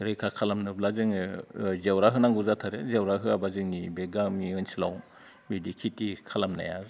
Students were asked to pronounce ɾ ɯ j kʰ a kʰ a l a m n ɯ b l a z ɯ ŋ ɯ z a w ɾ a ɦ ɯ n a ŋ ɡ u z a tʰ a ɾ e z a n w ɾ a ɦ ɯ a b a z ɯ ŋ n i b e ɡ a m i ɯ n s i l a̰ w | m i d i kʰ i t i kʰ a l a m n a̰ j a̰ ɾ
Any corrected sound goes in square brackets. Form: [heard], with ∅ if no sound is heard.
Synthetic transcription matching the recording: ɾ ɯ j kʰ a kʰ a l a m n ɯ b l a z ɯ ŋ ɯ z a w ɾ a ɦ ɯ n a ŋ ɡ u z a tʰ a ɾ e z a [∅] w ɾ a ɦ ɯ a b a z ɯ ŋ n i b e ɡ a m i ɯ n s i l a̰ w | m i d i kʰ i t i kʰ a l a m n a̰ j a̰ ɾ